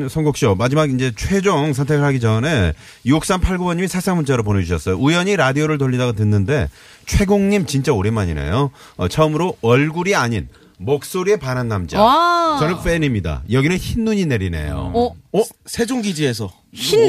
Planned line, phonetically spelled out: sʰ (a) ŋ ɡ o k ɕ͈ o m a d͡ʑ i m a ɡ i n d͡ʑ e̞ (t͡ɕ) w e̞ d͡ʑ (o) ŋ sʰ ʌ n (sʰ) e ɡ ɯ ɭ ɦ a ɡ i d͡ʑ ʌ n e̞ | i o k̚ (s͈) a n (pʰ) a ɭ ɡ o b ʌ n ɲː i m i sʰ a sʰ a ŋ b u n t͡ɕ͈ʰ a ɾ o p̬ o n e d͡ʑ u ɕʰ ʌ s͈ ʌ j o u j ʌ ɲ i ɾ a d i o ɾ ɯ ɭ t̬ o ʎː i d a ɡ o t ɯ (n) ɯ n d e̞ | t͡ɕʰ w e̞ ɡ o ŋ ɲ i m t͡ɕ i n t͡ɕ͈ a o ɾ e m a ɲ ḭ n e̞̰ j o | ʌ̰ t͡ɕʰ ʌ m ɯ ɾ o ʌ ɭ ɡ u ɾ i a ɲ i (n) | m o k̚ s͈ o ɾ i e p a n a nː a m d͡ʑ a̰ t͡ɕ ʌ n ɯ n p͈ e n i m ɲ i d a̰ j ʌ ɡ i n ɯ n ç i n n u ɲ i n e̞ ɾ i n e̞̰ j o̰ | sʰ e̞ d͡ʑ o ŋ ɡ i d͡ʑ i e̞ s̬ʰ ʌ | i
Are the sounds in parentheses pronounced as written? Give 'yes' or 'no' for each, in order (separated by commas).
no, no, yes, no, yes, yes, no, yes